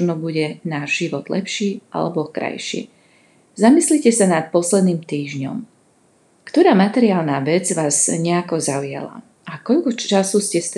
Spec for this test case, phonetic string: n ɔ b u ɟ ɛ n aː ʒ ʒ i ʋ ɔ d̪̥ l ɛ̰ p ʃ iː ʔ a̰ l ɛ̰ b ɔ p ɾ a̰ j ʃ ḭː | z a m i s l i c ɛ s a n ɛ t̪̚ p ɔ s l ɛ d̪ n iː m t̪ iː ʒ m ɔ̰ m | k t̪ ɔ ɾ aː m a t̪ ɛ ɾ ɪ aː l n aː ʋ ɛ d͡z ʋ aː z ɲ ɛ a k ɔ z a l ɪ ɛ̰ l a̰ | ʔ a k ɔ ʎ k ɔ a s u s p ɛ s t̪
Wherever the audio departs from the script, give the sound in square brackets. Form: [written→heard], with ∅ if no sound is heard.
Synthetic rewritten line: n ɔ b u ɟ ɛ n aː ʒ ʒ i ʋ ɔ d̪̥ l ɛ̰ p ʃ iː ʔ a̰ l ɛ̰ b ɔ [p→k] ɾ a̰ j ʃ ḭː | z a m i s l i c ɛ s a n [ɛ→a] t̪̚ p ɔ s l ɛ d̪ n iː m t̪ iː ʒ [m→ɲ] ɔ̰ m | k t̪ ɔ ɾ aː m a t̪ ɛ ɾ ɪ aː l n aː ʋ ɛ d͡z ʋ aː z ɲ ɛ a k ɔ z a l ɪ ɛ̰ l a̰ | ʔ a k ɔ ʎ k ɔ a s u s [p→c] ɛ s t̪